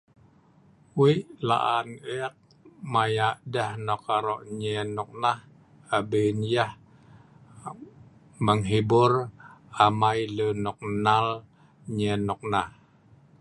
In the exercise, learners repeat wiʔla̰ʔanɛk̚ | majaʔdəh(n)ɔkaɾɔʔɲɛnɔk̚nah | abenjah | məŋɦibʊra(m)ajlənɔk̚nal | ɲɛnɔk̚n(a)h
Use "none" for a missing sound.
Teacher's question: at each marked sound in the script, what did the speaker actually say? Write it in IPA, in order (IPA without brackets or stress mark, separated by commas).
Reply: n, m, a